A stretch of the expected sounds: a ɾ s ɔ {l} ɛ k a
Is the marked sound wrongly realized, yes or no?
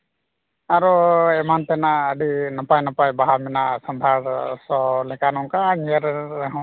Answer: no